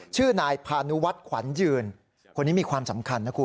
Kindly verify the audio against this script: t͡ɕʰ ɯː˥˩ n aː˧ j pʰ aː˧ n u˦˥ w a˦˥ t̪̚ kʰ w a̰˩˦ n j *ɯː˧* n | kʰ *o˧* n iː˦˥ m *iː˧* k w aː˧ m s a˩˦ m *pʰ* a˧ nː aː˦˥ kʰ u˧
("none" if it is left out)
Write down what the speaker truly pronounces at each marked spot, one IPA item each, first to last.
ɯː˧, o˧, iː˧, kʰ

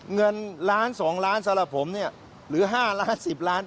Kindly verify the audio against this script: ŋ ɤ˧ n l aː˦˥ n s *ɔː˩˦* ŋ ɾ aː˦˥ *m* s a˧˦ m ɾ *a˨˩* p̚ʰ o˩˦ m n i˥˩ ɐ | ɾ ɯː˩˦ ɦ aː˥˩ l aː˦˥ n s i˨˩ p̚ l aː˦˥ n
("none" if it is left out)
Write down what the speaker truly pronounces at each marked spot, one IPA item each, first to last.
ɔː˩˦, n, a˨˩

